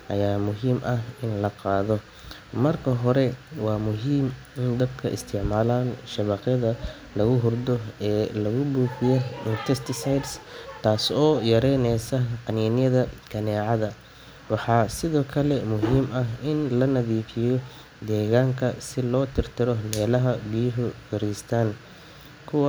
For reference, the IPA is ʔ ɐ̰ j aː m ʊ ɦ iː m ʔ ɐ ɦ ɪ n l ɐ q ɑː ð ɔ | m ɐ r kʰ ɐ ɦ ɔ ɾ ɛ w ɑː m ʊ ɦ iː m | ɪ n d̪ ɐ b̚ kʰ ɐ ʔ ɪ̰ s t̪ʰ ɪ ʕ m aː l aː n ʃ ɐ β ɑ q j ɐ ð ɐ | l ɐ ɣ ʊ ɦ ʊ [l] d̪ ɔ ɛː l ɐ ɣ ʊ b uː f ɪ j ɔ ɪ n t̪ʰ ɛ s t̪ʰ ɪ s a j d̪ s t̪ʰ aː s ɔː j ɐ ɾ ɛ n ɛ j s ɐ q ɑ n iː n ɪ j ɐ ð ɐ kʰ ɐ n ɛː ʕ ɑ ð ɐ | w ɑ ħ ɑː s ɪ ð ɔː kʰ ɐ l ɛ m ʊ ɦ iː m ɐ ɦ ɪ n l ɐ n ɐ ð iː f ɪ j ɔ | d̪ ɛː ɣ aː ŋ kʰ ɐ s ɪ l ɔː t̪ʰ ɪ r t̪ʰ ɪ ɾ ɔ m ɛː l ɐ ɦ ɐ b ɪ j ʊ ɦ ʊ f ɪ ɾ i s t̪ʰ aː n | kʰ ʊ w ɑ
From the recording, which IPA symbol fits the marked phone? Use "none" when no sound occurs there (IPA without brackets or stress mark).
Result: r